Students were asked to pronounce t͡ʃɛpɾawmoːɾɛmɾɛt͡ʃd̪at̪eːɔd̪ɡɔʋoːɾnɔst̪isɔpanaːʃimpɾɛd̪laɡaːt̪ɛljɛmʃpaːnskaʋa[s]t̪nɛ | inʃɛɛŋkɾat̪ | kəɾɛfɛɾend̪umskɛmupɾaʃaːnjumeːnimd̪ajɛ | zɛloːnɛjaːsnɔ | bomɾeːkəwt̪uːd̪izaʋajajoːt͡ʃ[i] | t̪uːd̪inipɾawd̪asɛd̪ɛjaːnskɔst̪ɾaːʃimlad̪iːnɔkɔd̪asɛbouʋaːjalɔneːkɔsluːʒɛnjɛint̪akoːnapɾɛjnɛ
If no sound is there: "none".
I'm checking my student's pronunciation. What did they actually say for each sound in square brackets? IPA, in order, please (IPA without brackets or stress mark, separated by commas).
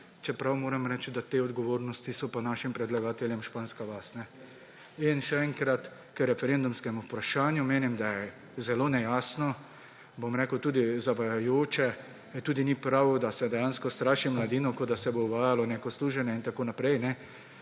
s, ɛ